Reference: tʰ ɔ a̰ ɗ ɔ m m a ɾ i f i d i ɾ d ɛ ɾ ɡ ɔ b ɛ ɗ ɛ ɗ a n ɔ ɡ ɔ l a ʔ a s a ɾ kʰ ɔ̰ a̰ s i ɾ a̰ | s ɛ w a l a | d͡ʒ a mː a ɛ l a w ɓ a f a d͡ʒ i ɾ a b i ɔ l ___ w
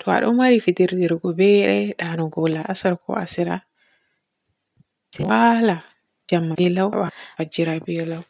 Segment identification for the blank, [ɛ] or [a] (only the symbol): a